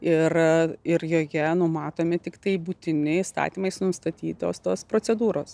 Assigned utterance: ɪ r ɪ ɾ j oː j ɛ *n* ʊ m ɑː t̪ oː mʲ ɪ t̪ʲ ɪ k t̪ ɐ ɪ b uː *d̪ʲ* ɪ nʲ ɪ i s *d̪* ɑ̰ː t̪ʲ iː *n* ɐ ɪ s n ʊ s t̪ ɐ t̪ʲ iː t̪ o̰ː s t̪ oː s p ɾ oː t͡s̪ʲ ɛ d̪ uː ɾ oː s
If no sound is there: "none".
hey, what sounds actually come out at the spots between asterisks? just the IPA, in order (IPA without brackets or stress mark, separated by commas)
n, t̪ʲ, t̪, m